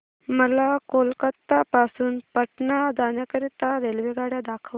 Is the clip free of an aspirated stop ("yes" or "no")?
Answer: no